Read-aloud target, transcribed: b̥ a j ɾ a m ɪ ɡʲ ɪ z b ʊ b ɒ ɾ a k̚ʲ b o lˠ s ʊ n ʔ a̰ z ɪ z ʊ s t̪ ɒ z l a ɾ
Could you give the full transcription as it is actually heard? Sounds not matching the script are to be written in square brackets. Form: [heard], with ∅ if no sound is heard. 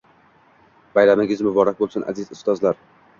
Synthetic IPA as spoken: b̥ a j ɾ a m ɪ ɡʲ ɪ z [m] ʊ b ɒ ɾ a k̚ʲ b o lˠ s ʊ n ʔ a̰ z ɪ z ʊ s t̪ ɒ z l a ɾ